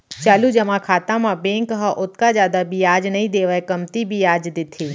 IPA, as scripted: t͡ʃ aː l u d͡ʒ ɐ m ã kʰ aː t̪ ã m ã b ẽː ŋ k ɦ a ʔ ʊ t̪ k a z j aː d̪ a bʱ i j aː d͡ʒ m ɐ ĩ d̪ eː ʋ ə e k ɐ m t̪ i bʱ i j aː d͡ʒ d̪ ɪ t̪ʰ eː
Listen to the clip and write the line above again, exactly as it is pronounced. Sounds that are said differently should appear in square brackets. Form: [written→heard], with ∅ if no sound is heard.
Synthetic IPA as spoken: t͡ʃ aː l u d͡ʒ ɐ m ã kʰ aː t̪ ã m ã b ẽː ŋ k ɦ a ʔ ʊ t̪ k a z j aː d̪ a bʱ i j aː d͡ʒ [m→n] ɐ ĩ d̪ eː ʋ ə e k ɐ m t̪ i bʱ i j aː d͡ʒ d̪ ɪ t̪ʰ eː